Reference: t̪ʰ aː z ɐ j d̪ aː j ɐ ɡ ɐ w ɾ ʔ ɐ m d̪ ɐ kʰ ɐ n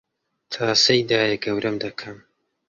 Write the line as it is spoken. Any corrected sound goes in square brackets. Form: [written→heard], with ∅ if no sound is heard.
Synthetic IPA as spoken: t̪ʰ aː [z→s] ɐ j d̪ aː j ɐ ɡ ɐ w ɾ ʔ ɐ m d̪ ɐ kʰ ɐ [n→m]